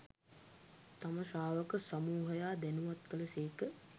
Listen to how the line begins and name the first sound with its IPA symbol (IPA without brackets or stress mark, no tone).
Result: t̪